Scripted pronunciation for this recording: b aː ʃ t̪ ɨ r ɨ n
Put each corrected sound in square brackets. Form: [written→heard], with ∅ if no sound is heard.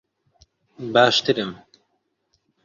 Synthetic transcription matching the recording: b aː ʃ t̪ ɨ [r→ɾ] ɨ [n→m]